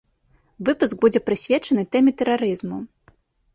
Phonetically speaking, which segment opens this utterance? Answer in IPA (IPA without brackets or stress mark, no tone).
v